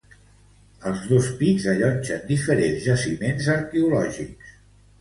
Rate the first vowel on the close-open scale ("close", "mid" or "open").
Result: mid